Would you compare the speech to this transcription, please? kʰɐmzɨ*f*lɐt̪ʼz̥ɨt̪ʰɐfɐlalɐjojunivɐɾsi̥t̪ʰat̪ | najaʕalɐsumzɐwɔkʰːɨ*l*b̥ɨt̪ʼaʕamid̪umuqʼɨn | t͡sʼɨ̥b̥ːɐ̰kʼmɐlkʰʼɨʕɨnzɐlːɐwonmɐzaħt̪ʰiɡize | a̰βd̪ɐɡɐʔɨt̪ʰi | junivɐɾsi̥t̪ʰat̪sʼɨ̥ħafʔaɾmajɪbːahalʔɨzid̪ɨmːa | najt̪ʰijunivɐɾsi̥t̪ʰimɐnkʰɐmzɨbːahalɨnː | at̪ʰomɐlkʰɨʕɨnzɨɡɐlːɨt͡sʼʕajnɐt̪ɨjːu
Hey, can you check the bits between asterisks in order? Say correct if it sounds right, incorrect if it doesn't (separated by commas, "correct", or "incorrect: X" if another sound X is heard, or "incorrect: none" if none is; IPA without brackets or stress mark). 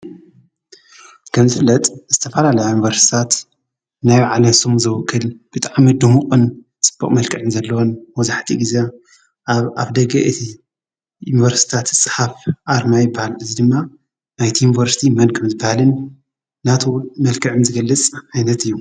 correct, correct